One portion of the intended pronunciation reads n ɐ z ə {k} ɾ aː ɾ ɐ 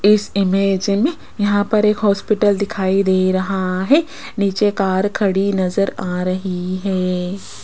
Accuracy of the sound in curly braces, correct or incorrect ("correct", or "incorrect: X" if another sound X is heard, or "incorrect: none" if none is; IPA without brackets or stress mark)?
incorrect: none